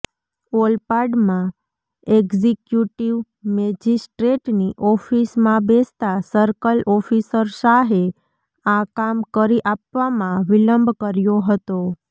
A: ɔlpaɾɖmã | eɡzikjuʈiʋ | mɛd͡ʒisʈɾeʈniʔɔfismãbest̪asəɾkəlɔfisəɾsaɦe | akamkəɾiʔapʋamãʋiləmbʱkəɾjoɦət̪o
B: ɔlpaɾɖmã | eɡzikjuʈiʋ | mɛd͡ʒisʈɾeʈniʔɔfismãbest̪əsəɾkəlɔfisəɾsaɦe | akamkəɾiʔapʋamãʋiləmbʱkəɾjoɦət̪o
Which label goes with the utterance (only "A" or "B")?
A